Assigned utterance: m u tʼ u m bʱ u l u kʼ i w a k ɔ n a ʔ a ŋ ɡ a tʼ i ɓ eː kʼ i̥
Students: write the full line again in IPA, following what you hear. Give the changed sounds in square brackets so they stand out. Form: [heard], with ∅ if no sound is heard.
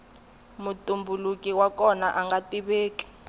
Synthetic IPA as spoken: m u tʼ u m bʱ u l u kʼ i w a k ɔ n a ʔ a ŋ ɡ a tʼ i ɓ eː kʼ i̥

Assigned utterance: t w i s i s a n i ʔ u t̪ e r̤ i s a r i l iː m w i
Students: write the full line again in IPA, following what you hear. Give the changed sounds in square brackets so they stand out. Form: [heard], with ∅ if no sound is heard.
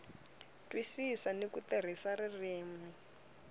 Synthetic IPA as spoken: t w i s i s a n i [k] u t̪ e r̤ i s a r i [r] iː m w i

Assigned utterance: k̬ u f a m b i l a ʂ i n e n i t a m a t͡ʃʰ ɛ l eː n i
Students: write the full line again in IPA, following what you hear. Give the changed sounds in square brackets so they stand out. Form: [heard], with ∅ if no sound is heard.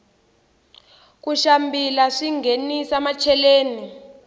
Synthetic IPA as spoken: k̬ u [ʃ] a m b i l a ʂ i [ŋ] e n i [s] a m a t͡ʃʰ ɛ l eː n i

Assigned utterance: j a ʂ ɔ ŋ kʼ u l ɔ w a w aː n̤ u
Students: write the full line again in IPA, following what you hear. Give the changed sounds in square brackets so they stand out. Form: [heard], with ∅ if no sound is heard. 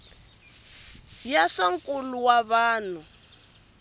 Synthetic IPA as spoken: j a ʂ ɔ ŋ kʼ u l [u] w a [β] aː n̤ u

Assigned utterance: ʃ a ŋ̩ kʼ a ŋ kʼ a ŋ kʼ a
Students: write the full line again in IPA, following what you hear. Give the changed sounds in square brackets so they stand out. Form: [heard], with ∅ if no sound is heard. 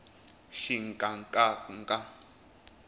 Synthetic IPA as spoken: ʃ [i] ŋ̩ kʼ a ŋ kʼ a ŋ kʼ a

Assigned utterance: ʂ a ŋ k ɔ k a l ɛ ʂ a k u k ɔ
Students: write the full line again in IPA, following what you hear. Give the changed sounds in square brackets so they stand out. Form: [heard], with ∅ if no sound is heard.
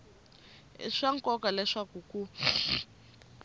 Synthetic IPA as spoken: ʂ a ŋ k ɔ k a l ɛ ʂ a k u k [u]

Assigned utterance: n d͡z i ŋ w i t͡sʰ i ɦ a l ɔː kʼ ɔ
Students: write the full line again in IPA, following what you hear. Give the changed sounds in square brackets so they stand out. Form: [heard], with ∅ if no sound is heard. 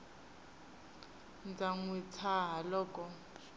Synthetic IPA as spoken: n d͡z [a] ŋ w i t͡sʰ [a] ɦ a l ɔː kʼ ɔ

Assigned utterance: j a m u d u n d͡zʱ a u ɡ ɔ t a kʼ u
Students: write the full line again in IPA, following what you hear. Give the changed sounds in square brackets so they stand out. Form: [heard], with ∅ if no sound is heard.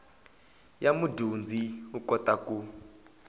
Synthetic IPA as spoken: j a m u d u n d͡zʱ [i] u [k] ɔ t a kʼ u

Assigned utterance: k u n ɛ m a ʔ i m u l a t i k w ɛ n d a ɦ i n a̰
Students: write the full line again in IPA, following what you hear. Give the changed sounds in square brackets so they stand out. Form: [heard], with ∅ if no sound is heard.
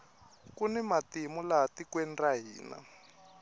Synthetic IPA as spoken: k u n ɛ m a [t] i m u l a t i k w ɛ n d a ɦ [iː] n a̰

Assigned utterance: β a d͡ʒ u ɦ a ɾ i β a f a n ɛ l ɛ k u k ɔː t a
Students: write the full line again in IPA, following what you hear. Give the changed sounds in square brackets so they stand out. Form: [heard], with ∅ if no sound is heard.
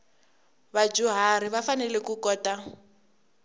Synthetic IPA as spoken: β a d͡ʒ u ɦ a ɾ i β a f a n ɛ l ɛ k u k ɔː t a

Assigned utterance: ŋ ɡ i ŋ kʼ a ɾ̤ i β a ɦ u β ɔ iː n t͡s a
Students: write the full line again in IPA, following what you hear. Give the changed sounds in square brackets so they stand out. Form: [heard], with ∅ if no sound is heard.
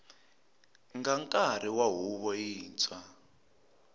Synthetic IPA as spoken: ŋ ɡ [a] ŋ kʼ a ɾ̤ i [w] a ɦ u β ɔ iː n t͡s a

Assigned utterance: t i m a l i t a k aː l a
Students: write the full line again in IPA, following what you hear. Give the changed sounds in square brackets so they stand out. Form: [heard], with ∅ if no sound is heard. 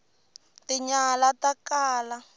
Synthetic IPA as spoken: t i [ɲ] a l [a] t a k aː l a

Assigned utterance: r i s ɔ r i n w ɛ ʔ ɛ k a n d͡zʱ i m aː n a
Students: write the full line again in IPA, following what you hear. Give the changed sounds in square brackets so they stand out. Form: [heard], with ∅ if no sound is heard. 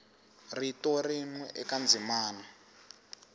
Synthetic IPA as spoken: r i [t] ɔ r i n w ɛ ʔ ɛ k a n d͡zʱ i m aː n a

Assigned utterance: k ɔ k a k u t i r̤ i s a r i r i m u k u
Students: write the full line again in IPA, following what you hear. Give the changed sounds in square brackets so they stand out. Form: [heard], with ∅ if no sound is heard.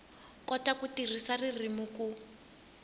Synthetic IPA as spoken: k ɔ [t] a k u t i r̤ i s a r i r i m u k u

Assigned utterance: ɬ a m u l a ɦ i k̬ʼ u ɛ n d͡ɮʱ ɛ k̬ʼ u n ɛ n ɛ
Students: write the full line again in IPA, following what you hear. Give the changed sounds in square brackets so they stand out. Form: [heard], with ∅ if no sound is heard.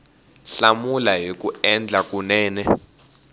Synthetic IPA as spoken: ɬ a m u l a ɦ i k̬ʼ u ɛ n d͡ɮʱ [a] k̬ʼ u n [ɛː] n ɛ

